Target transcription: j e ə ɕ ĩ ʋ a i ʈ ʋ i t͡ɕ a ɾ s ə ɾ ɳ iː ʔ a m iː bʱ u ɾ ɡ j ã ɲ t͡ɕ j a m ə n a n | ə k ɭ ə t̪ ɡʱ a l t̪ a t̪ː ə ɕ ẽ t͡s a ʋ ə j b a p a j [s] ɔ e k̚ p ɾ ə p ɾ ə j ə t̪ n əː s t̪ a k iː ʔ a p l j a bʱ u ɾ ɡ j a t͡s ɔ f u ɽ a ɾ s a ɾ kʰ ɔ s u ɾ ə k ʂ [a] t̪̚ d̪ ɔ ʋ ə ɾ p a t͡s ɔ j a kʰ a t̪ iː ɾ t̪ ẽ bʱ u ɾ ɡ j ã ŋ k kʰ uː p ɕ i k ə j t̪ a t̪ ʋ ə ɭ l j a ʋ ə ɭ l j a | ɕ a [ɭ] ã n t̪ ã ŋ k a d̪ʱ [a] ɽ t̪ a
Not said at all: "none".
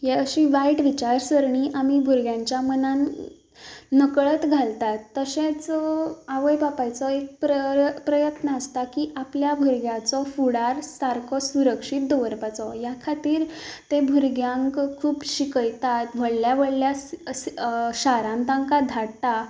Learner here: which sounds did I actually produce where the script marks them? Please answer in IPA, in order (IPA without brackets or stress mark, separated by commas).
t͡s, i, ɾ, a